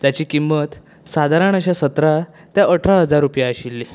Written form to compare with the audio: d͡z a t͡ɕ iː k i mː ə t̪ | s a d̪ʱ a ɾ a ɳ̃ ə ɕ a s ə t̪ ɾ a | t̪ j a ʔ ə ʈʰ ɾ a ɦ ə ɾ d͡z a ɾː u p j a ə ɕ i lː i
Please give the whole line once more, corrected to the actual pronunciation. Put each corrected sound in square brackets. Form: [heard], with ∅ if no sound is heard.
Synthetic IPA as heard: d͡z a t͡ɕ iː k i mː ə t̪ | s a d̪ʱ a ɾ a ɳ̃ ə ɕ a s ə t̪ ɾ a | t̪ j a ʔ ə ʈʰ ɾ a ɦ ə [∅] d͡z a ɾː u p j a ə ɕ i lː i